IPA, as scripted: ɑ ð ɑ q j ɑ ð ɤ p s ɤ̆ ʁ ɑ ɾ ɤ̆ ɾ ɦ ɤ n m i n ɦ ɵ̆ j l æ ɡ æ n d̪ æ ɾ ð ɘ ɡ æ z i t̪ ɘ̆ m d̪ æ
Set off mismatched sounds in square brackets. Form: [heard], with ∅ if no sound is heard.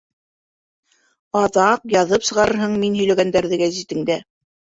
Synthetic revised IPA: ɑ ð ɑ q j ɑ ð ɤ p s ɤ̆ ʁ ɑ ɾ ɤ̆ ɾ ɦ ɤ [ɴ] m i n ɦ ɵ̆ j l æ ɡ æ n d̪ æ ɾ ð ɘ ɡ æ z i t̪ ɘ̆ [ŋ] d̪ æ